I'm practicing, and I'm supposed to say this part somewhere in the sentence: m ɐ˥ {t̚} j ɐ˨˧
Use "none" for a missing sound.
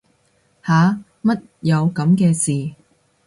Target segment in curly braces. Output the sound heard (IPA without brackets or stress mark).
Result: t̚